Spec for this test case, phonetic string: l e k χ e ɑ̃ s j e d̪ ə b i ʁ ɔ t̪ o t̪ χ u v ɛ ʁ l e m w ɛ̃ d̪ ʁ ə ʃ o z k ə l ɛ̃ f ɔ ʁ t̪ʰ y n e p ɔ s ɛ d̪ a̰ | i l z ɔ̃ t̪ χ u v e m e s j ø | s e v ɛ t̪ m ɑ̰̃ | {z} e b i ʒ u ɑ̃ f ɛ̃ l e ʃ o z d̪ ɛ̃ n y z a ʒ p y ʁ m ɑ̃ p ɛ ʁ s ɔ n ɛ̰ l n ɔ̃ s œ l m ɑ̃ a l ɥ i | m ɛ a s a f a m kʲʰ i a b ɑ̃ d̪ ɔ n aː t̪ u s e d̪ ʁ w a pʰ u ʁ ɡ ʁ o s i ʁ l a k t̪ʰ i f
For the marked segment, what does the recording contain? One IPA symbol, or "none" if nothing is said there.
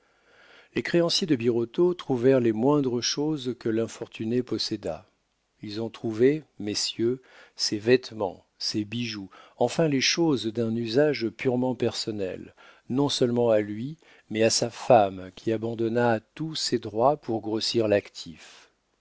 s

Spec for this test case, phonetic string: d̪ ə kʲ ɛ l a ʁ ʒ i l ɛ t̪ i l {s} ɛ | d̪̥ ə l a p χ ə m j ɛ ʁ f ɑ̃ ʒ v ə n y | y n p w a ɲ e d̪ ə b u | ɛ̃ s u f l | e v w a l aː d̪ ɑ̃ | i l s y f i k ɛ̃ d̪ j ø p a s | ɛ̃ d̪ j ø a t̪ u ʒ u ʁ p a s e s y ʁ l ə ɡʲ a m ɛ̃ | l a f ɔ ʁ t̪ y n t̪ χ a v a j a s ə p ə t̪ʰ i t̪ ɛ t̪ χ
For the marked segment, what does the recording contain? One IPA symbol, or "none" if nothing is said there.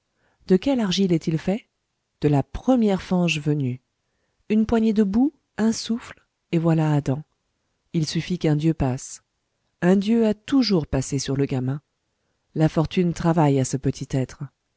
f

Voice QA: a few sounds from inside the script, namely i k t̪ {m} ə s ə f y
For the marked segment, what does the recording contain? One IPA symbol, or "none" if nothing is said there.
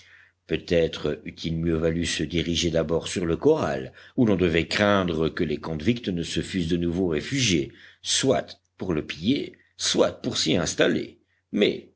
n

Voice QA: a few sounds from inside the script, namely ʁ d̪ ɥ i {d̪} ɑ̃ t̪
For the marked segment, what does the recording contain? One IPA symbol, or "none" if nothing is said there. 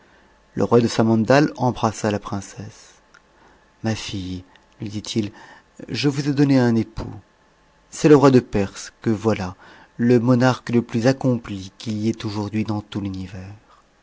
d̪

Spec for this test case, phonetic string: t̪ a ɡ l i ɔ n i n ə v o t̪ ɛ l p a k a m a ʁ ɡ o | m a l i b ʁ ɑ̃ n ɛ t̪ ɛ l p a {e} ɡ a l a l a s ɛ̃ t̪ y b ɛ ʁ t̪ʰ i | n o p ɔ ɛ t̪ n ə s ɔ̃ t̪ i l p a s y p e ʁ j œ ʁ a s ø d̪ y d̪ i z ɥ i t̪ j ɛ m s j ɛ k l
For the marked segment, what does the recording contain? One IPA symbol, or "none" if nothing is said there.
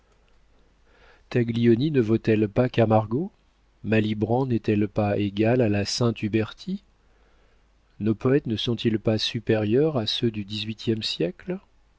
e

